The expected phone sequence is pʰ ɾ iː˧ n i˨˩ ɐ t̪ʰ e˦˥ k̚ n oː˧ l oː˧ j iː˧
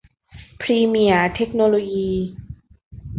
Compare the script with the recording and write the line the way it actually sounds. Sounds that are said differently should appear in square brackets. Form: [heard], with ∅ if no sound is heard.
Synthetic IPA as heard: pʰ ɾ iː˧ [m] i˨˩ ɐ t̪ʰ e˦˥ k̚ n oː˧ l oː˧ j iː˧